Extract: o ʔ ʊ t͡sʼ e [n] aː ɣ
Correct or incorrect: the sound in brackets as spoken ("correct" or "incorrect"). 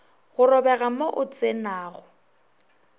correct